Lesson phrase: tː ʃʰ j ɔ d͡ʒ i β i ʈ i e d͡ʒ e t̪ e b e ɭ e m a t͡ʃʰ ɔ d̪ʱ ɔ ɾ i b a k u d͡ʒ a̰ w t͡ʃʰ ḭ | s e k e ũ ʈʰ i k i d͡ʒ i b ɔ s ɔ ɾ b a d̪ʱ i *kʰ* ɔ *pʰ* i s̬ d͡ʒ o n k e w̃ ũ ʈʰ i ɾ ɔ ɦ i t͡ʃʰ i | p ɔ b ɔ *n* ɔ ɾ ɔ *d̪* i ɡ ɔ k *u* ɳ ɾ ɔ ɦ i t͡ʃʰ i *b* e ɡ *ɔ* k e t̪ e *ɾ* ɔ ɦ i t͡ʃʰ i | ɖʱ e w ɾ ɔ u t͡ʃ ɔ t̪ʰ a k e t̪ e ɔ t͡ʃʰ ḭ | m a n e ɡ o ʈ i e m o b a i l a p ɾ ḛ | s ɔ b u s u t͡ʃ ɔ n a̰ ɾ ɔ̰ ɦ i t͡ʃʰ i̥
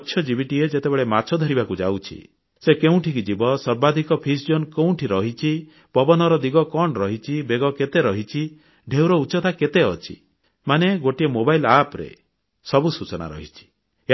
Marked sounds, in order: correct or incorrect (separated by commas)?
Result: incorrect, correct, correct, correct, incorrect, correct, correct, correct